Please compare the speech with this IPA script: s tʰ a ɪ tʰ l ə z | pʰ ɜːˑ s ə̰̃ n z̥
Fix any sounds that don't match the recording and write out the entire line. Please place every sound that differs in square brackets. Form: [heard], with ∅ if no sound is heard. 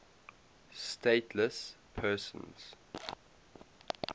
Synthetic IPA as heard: s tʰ [e] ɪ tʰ l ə [s] | pʰ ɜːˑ s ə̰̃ n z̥